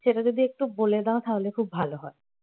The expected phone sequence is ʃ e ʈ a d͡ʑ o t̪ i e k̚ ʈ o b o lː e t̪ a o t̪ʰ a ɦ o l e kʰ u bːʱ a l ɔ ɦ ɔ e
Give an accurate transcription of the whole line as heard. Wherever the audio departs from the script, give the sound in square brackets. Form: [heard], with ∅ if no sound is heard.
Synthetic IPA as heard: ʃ e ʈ a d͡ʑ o [d̪] i e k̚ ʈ [u] b o [l] e [d̪] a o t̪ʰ a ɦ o l e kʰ u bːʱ a l [o] ɦ ɔ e